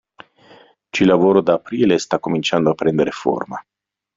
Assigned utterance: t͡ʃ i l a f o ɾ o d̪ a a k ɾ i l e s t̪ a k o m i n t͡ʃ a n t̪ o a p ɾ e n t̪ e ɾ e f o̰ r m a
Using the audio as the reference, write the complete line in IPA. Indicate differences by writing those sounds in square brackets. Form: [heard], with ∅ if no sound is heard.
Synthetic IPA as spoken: t͡ʃ i l a [v] o ɾ o d̪ a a [p] ɾ i l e s t̪ a k o m i n t͡ʃ a n [d̪] o a p ɾ e n [d̪] e ɾ e f o̰ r m a